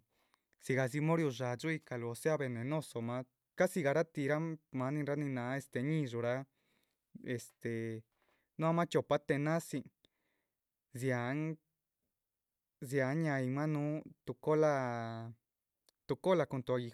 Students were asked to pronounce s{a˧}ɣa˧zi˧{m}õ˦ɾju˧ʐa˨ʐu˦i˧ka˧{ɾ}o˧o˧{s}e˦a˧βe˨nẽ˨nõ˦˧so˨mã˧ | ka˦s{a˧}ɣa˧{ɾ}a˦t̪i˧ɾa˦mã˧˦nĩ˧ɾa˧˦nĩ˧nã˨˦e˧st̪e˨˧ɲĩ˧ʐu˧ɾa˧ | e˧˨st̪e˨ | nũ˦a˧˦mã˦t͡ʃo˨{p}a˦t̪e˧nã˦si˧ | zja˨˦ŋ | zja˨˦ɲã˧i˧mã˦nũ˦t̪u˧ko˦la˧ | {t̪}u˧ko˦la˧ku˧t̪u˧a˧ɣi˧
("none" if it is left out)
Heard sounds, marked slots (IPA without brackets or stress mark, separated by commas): i˧, m, l, s, i˧, ɾ, p, t̪